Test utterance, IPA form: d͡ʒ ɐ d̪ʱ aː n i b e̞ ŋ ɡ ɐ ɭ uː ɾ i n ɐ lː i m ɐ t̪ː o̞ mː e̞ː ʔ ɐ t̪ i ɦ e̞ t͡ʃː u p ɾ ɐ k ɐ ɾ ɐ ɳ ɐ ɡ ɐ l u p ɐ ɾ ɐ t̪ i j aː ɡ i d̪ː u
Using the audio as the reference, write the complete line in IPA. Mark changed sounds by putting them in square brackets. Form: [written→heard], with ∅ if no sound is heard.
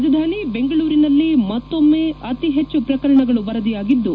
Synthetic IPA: d͡ʒ ɐ d̪ʱ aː n i b e̞ ŋ ɡ ɐ ɭ uː ɾ i n ɐ lː i m ɐ t̪ː o̞ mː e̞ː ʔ ɐ t̪ i ɦ e̞ t͡ʃː u p ɾ ɐ k ɐ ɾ ɐ ɳ ɐ ɡ ɐ [l→ɭ] u [p→b] ɐ ɾ ɐ [t̪→d̪] i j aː ɡ i d̪ː u